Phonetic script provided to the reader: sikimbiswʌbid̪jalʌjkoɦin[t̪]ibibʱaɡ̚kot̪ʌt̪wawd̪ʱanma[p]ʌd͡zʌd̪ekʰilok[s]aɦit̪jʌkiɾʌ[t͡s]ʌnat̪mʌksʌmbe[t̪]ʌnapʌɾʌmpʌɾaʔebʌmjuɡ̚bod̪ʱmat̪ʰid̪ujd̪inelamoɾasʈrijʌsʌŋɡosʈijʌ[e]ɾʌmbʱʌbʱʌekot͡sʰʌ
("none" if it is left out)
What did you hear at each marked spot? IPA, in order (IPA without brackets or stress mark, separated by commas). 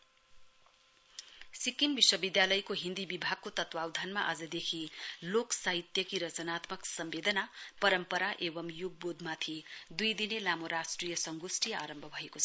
d̪, ʔ, s, t͡s, d̪, a